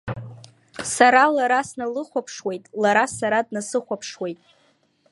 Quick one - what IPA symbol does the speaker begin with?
s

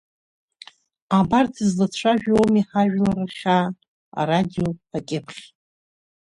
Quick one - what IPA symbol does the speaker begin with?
a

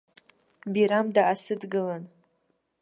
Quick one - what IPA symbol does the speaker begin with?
b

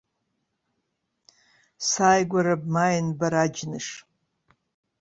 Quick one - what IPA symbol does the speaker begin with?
s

